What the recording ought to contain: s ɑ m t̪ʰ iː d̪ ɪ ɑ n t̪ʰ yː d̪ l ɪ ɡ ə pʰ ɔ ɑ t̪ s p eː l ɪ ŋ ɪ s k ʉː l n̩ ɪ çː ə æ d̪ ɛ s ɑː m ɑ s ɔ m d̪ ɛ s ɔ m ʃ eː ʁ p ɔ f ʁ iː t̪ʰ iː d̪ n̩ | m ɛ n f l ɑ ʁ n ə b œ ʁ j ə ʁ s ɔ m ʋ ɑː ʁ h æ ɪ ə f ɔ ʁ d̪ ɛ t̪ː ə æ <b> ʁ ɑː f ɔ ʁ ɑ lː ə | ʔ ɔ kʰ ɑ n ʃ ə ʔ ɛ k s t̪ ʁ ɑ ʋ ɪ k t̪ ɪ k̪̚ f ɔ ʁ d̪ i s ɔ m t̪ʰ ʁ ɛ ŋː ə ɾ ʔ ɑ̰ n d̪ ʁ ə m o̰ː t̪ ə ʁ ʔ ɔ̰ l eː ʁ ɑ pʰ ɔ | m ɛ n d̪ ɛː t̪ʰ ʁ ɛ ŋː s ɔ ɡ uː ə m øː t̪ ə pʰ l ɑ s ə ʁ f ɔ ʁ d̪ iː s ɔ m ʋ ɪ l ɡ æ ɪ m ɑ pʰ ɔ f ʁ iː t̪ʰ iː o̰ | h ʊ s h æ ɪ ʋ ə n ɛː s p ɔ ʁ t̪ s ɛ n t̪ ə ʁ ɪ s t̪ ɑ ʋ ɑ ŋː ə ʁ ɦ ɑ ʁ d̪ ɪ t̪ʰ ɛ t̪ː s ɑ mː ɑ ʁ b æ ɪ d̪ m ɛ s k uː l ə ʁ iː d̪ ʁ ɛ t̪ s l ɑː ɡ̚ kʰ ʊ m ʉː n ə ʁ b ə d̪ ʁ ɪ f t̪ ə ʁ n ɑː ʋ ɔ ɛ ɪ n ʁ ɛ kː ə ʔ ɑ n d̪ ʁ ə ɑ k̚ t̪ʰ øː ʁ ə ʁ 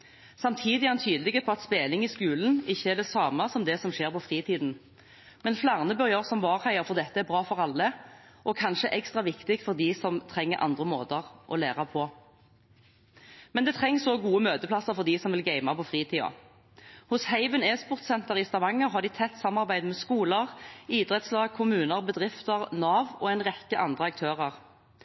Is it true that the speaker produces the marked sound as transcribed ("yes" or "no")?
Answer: yes